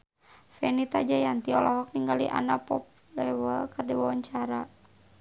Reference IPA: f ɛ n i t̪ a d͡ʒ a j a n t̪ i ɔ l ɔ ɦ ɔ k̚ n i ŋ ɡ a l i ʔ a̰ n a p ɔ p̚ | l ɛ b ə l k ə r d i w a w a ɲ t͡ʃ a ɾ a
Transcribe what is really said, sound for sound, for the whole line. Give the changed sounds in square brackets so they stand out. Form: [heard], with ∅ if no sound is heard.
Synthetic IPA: f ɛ n i t̪ a d͡ʒ a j a n t̪ i ɔ l ɔ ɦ ɔ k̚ n i ŋ ɡ a l i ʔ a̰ n a p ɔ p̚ | l ɛ [w] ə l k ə r d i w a w a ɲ t͡ʃ a ɾ a